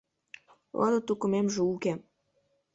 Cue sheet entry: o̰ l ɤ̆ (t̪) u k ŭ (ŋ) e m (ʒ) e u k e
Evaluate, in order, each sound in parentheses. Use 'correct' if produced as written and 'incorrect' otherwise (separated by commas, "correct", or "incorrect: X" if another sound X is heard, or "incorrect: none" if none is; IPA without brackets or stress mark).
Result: correct, incorrect: m, correct